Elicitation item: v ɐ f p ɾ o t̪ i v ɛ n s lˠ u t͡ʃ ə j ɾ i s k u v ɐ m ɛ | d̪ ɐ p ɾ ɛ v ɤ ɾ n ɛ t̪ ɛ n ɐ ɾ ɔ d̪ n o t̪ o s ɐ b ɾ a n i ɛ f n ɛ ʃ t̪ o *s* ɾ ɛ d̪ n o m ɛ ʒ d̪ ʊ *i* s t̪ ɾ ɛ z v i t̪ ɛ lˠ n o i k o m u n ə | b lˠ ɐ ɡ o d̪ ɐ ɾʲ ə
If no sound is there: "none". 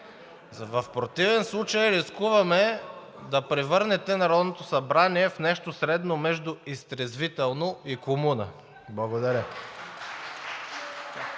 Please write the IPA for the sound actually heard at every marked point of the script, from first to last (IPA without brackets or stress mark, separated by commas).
s, i